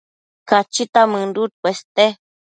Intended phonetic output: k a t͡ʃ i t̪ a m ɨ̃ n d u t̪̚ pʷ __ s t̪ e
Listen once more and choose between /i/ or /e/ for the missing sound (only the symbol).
e